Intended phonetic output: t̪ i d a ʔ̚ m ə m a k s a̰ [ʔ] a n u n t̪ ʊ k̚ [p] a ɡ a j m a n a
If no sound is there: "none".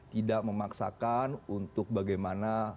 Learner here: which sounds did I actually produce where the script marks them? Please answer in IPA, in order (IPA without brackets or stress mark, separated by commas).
k, b